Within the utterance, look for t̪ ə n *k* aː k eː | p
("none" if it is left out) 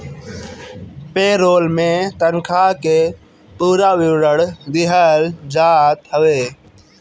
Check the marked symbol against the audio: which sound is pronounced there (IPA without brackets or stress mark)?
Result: kʰ